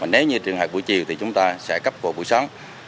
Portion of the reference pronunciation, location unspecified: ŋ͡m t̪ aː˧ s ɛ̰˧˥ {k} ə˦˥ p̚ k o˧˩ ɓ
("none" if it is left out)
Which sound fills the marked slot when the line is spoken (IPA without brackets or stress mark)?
k